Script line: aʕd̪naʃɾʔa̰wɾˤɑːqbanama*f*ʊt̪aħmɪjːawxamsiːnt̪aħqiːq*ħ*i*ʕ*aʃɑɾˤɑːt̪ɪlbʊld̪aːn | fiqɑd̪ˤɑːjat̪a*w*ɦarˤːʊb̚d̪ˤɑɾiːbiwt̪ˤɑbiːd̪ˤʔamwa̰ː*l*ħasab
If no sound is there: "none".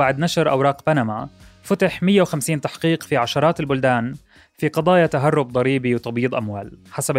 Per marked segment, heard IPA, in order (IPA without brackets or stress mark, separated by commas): f, f, ʕ, none, l